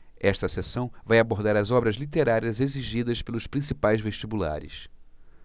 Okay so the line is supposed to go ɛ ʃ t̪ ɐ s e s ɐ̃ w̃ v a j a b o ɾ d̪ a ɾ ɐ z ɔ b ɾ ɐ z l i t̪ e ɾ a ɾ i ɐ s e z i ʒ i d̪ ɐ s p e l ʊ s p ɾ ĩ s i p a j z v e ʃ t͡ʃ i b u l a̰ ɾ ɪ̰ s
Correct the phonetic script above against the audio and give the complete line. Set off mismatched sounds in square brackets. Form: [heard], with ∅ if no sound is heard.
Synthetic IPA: ɛ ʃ t̪ ɐ s e s ɐ̃ w̃ v a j a b o ɾ d̪ a ɾ ɐ z ɔ b ɾ ɐ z l i t̪ e ɾ a ɾ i ɐ [z] e z i ʒ i d̪ ɐ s p e l ʊ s p ɾ ĩ s i p a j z v e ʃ t͡ʃ i b u l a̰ ɾ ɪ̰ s